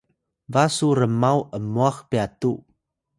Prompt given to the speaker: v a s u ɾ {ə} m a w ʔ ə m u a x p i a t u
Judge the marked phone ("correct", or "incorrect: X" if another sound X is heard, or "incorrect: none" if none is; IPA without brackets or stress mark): correct